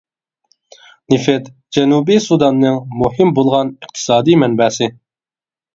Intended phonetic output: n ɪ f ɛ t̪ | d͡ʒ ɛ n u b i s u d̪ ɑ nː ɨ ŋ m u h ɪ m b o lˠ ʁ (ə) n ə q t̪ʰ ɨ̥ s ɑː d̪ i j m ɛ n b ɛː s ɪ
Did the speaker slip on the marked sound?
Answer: yes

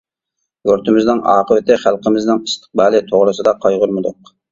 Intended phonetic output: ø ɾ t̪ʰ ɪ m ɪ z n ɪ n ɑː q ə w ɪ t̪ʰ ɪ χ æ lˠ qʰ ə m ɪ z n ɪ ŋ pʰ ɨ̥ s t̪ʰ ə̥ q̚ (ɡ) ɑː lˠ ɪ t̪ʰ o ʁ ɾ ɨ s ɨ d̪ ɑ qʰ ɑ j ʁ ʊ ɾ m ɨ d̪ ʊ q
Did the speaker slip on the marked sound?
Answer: yes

